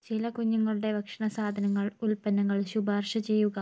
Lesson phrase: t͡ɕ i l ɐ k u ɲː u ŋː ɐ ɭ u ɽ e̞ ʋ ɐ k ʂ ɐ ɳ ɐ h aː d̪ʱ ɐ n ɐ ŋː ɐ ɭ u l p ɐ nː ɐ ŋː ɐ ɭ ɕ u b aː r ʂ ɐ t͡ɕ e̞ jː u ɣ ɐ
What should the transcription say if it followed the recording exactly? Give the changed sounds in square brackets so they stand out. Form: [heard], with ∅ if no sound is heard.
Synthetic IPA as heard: t͡ɕ i l ɐ k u ɲː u ŋː ɐ ɭ u ɽ e̞ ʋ ɐ k ʂ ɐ ɳ ɐ [s] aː d̪ʱ ɐ n ɐ ŋː ɐ ɭ u l p ɐ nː ɐ ŋː ɐ ɭ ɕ u b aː r ʂ ɐ t͡ɕ e̞ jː u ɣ ɐ